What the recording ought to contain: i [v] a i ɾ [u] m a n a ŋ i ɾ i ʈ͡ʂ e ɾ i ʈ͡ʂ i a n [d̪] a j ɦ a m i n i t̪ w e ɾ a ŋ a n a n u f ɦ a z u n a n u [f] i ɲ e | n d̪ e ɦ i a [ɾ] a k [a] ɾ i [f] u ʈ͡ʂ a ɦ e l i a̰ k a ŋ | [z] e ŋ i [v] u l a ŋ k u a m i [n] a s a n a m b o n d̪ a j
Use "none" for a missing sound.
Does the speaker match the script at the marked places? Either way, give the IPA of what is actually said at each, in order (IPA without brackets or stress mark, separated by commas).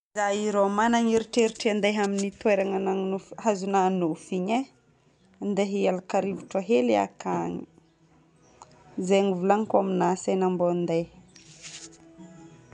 z, o, d̪, f, l, a, v, z, v, n